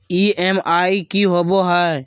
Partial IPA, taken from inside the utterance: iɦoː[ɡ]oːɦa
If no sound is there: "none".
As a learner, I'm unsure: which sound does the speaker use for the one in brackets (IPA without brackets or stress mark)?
b